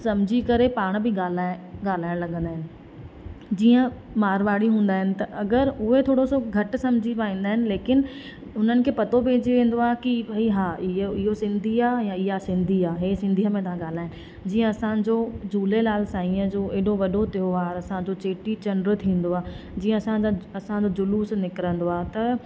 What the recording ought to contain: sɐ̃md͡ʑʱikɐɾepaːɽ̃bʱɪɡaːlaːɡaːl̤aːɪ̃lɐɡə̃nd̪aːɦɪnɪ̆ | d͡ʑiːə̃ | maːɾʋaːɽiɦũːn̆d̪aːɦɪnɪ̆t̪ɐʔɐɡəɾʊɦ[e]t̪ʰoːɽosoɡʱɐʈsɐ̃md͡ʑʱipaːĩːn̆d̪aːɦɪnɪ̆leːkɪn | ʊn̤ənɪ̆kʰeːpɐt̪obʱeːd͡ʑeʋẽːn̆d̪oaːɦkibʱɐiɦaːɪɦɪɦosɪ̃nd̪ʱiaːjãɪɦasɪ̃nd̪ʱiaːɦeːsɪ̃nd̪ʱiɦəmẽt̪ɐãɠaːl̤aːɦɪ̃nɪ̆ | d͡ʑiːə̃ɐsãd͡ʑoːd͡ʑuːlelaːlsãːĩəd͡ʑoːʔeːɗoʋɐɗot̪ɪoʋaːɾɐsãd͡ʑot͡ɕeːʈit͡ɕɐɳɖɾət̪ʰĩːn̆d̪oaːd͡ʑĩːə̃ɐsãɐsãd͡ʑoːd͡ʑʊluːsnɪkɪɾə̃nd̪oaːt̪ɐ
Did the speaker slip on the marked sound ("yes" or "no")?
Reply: no